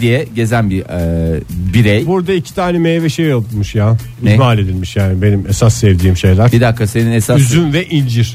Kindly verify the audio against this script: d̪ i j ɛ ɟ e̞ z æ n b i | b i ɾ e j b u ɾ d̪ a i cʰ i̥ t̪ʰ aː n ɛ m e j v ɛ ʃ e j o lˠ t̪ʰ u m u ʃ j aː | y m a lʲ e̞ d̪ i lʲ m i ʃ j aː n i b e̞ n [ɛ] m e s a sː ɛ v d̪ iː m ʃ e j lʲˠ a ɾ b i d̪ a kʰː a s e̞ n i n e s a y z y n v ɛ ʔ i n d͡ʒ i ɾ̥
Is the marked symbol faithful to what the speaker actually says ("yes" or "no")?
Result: no